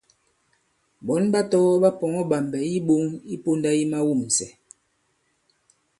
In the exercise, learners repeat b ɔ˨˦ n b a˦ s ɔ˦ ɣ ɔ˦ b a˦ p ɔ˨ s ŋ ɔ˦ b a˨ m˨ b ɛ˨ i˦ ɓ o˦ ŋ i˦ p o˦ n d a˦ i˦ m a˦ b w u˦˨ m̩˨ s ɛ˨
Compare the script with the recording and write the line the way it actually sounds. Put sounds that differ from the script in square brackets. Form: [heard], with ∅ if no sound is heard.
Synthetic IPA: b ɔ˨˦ n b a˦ [t] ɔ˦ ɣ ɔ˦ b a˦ p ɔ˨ [∅] ŋ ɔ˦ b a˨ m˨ b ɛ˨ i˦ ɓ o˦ ŋ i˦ p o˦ n d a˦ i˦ m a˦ [∅] w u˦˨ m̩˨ s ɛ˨